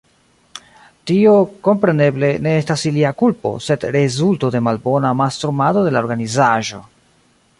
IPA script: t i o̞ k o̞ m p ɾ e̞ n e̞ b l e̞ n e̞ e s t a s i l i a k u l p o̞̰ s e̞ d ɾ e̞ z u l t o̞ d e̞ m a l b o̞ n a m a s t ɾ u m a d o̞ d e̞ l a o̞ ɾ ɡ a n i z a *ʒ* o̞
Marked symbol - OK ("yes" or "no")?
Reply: yes